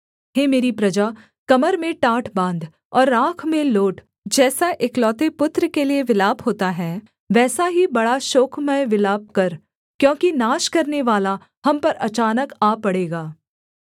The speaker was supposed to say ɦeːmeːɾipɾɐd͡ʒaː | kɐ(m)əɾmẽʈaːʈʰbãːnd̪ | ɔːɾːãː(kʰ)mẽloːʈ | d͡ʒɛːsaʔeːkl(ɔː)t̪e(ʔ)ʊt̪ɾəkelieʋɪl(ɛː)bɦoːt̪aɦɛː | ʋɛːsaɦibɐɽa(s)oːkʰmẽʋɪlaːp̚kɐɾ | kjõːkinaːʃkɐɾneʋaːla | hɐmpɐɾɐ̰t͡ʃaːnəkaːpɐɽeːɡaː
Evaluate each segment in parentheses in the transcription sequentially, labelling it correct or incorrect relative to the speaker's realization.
correct, correct, correct, incorrect: p, incorrect: aː, incorrect: ʃ

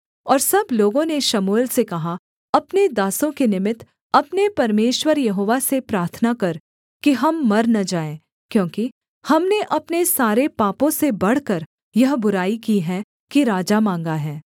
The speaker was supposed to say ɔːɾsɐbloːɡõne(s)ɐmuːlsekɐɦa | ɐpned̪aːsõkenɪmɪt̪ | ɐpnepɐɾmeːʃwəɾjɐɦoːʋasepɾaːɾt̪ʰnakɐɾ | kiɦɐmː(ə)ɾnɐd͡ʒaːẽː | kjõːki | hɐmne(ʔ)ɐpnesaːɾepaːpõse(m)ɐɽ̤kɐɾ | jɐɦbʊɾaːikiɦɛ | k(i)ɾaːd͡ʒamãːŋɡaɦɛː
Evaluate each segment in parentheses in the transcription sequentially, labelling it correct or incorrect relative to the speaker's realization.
incorrect: ʃ, incorrect: ɐ, correct, incorrect: b, correct

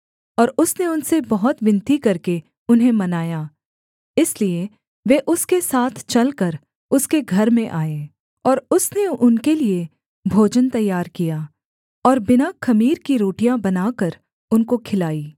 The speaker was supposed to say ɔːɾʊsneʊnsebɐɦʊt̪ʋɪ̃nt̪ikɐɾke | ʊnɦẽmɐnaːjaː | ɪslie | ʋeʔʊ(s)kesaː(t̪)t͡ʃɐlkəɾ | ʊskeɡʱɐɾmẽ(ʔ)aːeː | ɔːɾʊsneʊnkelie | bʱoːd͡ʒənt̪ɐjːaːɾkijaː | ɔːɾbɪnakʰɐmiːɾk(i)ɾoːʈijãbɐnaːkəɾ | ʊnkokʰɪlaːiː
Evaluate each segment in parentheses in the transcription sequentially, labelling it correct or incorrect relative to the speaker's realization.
correct, incorrect: t̪ʰ, correct, correct

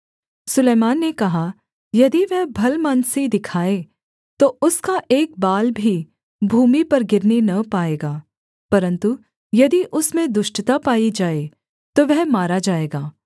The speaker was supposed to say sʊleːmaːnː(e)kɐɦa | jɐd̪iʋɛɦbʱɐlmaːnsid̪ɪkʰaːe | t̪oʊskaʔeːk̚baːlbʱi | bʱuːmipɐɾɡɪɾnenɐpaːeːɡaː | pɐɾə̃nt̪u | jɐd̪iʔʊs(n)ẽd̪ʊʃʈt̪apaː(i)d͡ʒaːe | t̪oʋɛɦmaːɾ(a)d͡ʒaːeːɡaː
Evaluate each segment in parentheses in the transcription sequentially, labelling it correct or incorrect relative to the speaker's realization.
correct, incorrect: m, correct, correct

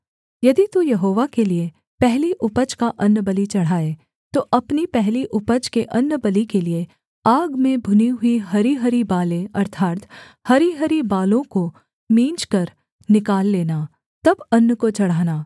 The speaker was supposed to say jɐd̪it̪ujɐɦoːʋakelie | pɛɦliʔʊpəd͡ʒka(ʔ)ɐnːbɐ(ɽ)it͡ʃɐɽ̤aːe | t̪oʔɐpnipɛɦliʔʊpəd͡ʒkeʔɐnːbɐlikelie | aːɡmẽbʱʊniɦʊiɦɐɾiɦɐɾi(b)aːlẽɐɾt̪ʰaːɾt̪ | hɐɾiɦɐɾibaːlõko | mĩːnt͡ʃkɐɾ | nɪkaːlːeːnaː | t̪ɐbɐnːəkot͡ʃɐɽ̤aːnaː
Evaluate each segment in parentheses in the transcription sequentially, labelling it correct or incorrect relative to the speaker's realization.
correct, incorrect: l, correct

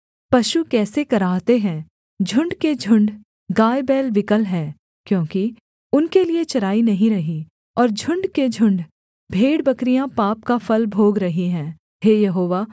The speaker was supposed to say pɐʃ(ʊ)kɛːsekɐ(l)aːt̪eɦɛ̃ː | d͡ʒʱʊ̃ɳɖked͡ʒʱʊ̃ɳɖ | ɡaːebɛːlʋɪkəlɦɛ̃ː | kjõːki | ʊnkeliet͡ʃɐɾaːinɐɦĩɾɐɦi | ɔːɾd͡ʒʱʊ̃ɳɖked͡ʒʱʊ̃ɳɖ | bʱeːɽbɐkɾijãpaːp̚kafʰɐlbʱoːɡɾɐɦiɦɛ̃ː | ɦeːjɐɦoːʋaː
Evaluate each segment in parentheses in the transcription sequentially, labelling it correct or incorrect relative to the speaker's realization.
incorrect: u, incorrect: ɾ

